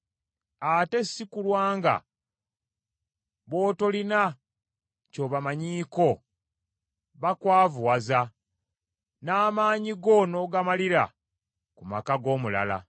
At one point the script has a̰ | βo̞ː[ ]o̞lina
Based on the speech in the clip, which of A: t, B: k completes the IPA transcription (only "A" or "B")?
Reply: A